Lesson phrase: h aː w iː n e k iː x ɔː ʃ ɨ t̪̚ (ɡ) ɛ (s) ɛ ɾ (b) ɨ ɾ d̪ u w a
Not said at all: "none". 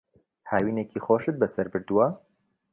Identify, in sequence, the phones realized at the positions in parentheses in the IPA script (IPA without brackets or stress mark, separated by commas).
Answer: b, s, b